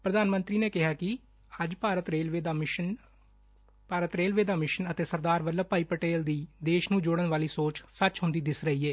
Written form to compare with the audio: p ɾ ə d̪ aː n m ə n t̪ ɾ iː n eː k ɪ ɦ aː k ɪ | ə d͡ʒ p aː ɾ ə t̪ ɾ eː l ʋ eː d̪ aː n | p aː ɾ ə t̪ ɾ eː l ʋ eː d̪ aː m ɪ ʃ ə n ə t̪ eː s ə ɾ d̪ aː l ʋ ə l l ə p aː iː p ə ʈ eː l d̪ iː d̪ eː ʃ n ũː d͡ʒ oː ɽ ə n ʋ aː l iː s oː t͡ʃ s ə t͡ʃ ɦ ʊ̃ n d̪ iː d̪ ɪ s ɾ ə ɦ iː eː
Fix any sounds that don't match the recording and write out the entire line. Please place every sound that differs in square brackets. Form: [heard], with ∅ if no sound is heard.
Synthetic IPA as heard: p ɾ ə d̪ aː n m ə n t̪ ɾ iː n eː k ɪ ɦ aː k ɪ | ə d͡ʒ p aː ɾ ə t̪ ɾ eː l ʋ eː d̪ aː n | p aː ɾ ə t̪ ɾ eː l ʋ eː d̪ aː m ɪ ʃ ə n ə t̪ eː s ə ɾ d̪ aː [ɾ] ʋ ə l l ə p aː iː p ə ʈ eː l d̪ iː d̪ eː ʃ n ũː d͡ʒ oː ɽ ə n ʋ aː l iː s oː t͡ʃ s ə t͡ʃ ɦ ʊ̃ n d̪ iː d̪ ɪ s ɾ ə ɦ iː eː